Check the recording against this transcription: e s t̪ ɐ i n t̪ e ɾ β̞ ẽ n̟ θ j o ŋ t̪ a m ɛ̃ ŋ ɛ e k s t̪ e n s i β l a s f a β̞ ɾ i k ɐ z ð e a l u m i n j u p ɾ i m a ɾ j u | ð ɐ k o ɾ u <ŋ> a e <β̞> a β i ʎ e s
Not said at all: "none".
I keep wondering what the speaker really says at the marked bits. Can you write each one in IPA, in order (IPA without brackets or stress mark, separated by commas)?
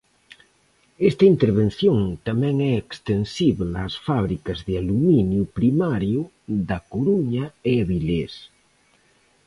ɲ, none